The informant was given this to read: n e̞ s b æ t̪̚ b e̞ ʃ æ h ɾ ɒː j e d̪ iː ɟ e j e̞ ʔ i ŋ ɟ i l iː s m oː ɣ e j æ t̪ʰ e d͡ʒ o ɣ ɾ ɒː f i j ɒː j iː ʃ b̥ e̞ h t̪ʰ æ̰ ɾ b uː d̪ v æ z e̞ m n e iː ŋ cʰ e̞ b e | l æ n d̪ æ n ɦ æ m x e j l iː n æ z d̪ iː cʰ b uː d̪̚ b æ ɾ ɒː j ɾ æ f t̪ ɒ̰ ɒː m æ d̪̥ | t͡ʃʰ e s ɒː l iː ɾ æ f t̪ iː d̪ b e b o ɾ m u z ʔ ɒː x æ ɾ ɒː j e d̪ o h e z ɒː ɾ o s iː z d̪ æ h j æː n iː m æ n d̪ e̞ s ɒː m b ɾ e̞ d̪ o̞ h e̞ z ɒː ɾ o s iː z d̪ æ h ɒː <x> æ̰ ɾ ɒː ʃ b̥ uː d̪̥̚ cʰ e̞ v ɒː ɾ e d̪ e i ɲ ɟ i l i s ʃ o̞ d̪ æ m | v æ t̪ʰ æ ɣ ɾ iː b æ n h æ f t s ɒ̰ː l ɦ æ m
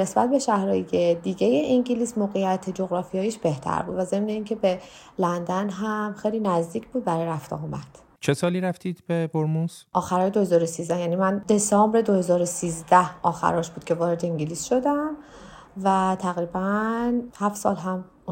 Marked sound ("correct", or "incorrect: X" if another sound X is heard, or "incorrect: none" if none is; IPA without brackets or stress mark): correct